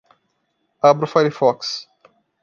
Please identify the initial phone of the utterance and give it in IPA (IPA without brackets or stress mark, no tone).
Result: a